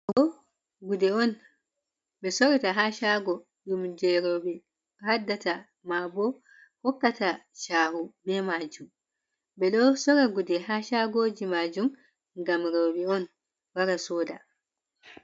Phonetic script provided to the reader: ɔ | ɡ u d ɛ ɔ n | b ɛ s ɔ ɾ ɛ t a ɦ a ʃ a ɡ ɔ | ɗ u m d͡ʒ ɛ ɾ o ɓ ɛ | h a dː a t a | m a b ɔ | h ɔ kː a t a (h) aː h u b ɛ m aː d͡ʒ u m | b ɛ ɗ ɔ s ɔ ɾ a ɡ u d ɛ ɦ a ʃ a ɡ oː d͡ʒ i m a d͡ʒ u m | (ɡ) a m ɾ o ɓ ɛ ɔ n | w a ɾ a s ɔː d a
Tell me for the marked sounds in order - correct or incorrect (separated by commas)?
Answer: incorrect, correct